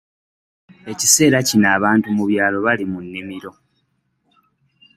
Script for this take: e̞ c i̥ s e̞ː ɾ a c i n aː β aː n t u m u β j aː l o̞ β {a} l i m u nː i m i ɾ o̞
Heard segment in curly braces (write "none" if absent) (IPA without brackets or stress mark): a